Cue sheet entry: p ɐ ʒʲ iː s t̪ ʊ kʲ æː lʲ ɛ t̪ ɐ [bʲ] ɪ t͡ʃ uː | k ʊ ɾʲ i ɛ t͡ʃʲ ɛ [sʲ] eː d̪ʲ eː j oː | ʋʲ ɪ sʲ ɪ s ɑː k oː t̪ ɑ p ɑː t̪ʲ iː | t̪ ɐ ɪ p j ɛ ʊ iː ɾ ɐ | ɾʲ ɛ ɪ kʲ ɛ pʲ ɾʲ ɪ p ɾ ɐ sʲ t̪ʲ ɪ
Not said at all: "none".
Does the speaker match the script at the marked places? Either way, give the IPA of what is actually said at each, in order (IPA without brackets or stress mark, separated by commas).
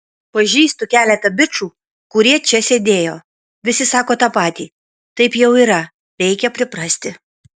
bʲ, sʲ